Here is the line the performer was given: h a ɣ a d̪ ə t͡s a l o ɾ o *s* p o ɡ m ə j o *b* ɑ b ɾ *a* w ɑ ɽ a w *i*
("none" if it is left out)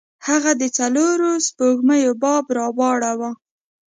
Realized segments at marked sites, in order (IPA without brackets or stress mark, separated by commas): s, b, ɑ, a